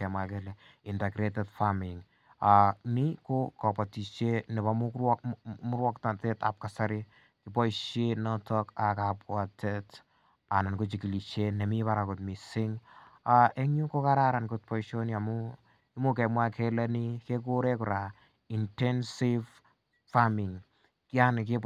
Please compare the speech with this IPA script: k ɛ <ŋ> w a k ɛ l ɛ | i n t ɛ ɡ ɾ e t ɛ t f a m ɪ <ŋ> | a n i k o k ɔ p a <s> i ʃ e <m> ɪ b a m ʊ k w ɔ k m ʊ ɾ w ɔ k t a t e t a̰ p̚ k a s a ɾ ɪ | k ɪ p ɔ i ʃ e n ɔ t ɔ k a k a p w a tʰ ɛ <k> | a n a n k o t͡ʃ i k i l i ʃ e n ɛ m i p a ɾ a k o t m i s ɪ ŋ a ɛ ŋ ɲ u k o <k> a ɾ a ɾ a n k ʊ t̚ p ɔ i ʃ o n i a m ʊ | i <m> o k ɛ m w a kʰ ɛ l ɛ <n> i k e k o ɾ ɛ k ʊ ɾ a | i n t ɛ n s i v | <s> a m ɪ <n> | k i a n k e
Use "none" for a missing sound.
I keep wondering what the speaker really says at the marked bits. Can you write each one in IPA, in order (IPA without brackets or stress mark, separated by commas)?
m, ŋ, t, n, t, k, m, n, f, ŋ